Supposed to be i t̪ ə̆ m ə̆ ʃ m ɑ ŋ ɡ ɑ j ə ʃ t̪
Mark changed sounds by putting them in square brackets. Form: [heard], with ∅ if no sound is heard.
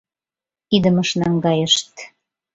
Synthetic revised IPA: i [d̪] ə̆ m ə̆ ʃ [n] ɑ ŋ ɡ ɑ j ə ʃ t̪

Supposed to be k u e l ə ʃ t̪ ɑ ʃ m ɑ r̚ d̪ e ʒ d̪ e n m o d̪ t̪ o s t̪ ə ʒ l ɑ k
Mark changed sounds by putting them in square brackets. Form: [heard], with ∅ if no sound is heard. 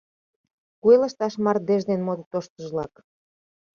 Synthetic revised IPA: k u e l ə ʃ t̪ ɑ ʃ m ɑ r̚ d̪ e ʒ d̪ e n m o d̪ t̪ o [ʃ] t̪ ə ʒ l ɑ k

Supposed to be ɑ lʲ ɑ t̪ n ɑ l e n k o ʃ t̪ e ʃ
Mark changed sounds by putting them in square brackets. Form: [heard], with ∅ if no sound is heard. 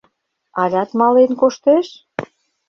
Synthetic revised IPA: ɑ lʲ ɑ t̪ [m] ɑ l e n k o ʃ t̪ e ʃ

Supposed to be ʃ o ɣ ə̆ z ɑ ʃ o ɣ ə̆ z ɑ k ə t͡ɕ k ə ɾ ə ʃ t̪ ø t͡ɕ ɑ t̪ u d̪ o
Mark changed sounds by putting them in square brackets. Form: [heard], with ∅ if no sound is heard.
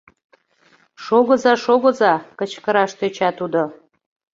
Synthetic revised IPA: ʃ o ɣ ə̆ z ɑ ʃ o ɣ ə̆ z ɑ k ə t͡ɕ k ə ɾ [ɑ] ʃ t̪ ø t͡ɕ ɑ t̪ u d̪ o

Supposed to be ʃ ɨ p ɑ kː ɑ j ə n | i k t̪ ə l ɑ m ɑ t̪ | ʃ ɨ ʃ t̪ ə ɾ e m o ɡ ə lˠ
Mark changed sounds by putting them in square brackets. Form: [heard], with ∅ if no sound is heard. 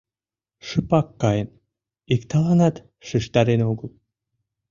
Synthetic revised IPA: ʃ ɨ p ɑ kː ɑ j ə n | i k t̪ [ɑ] l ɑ [n] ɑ t̪ | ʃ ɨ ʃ t̪ [ɑ] ɾ e [n] o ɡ ə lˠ

